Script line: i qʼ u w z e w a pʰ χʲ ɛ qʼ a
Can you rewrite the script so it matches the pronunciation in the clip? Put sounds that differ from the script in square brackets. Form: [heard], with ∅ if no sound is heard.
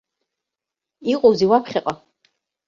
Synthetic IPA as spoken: i qʼ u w z [i] w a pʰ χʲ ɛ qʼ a